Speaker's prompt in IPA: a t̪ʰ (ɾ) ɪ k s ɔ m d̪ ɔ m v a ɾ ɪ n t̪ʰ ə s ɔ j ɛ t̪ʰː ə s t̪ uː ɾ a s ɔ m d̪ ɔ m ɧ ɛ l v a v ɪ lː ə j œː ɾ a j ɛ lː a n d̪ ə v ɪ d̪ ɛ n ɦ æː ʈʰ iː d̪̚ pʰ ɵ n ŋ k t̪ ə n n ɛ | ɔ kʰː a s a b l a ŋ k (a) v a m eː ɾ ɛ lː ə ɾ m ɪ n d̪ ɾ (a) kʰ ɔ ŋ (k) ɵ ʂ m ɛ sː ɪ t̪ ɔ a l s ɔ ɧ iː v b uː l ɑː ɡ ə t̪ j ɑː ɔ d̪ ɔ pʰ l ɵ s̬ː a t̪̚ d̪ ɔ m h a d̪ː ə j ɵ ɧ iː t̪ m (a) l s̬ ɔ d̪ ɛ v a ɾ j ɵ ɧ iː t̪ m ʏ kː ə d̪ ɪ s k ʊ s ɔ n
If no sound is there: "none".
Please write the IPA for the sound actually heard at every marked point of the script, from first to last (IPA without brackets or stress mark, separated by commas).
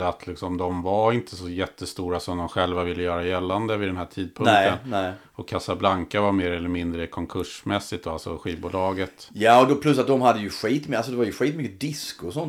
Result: l, a, ə, kʰ, a